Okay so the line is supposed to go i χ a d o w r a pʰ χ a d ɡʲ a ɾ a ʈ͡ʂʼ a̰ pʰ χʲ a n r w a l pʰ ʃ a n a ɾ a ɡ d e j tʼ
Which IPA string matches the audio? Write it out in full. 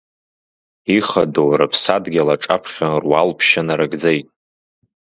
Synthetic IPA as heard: i χ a d o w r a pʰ s a d ɡʲ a l a ʈ͡ʂʼ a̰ pʰ χʲ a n r w a l pʰ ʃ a n a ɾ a ɡ d͡z e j tʼ